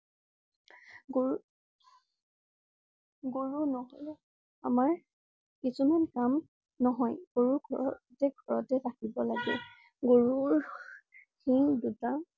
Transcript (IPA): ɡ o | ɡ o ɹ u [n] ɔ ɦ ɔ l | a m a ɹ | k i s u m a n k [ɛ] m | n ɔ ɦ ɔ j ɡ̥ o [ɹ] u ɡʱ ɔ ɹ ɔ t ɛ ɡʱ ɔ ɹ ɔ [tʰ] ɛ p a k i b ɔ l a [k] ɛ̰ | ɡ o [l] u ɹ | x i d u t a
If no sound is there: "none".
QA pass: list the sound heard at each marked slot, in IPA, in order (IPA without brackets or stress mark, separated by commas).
n, a, ɹ, t, ɡ, ɹ